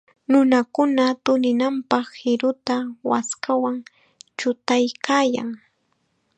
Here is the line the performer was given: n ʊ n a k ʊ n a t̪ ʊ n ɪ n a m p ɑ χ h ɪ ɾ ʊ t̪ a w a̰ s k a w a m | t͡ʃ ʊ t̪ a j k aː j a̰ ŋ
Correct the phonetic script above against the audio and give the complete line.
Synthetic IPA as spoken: n ʊ n a k ʊ n a t̪ ʊ n ɪ n a m p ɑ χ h ɪ ɾ ʊ t̪ a w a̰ s k a w a ŋ | t͡ʃ ʊ t̪ a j k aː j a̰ ŋ

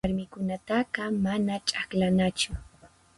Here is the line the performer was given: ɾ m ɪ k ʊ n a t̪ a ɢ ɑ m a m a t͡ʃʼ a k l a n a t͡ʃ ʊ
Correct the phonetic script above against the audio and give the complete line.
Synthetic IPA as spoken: ɾ m ɪ k ʊ n a t̪ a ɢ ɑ m a n a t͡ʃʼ a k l a n a t͡ʃ ʊ

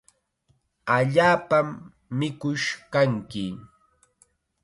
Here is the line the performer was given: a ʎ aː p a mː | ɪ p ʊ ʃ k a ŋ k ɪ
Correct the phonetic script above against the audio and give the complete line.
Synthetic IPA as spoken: a ʎ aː p a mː | ɪ k ʊ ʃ k a ŋ k ɪ

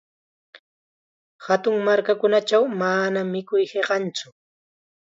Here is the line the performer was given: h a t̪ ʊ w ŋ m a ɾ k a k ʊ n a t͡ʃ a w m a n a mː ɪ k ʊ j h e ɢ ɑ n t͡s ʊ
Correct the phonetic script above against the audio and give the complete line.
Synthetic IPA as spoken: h a t̪ ʊ ŋ m a ɾ k a k ʊ n a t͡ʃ a w m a n a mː ɪ k ʊ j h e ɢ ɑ n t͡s ʊ

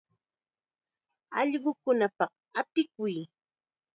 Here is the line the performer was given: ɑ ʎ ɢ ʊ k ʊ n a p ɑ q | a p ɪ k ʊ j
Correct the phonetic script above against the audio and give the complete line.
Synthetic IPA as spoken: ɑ ʎ ɢ ʊ k ʊ n a p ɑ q | a p ɪ k ʊ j

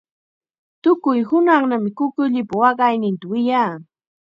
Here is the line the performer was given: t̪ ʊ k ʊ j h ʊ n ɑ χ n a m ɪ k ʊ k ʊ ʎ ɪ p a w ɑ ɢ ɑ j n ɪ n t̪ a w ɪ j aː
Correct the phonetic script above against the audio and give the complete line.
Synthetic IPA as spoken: t̪ ʊ k ʊ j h ʊ n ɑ χ n a m ɪ k ʊ k ʊ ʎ ɪ p a w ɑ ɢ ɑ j n ɪ n t̪ a w ɪ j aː

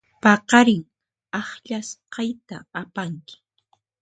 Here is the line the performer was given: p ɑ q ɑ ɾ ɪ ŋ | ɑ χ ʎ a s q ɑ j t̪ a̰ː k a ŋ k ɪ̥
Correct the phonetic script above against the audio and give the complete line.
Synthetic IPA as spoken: p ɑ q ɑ ɾ ɪ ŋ | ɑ χ ʎ a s q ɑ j t̪ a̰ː p a ŋ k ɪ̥

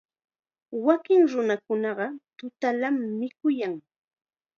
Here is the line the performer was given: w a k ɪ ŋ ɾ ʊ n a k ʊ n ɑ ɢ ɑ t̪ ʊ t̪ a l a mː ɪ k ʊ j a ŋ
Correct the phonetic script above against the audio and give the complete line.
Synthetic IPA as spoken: w a k ɪ ŋ ɾ ʊ n a k ʊ n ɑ ɢ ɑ t̪ ʊ t̪ a l a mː ɪ k ʊ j a ŋ

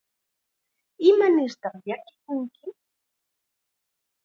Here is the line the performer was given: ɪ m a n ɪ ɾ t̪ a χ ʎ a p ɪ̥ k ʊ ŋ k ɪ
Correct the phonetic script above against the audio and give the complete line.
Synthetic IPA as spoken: ɪ m a n ɪ ɾ t̪ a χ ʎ a k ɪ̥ k ʊ ŋ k ɪ

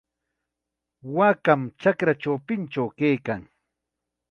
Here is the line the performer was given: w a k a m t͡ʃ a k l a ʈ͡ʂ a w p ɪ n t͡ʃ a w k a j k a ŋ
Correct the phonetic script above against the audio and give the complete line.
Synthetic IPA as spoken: w a k a m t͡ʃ a k ɾ a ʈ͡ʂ a w p ɪ n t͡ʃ a w k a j k a ŋ

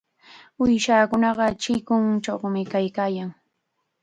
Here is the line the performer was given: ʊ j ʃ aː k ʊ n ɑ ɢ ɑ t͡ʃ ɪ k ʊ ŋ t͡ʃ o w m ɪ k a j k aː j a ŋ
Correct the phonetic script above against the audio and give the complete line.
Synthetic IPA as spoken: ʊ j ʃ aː k ʊ n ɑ ɢ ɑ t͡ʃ ɪ k ʊ ŋ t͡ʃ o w m ɪ k a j k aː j a ŋ

